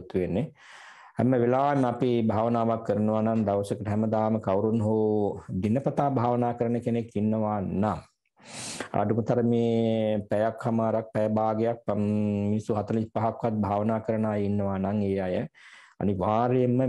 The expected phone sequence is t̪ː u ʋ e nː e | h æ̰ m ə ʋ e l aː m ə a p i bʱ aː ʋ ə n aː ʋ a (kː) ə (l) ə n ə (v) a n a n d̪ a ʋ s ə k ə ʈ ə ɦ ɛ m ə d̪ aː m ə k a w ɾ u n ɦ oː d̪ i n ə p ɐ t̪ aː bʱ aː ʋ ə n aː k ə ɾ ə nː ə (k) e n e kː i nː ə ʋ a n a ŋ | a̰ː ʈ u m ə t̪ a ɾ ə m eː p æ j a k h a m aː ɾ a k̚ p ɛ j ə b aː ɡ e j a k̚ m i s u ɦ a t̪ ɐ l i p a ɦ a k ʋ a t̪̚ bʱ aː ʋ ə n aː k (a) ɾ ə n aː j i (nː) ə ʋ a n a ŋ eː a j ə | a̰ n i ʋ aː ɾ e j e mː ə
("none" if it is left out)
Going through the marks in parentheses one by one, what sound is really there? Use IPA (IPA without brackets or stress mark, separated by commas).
kː, ɾ, ʋ, k, ə, nː